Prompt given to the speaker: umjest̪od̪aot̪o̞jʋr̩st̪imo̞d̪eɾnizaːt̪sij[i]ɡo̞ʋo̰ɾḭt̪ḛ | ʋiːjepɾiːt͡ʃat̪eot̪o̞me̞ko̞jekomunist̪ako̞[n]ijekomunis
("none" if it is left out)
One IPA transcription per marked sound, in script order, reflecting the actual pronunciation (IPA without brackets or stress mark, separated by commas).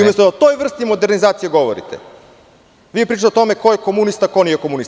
e, n